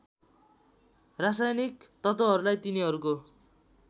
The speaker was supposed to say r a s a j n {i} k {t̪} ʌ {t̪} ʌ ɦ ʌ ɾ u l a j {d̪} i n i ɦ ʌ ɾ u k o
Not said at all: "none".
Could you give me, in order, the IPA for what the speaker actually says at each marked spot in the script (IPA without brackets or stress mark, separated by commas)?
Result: i, t̪, t̪, t̪